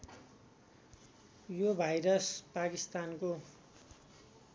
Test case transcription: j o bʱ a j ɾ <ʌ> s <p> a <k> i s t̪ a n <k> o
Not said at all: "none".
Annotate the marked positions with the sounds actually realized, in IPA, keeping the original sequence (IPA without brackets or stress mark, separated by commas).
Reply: ʌ, p, k, k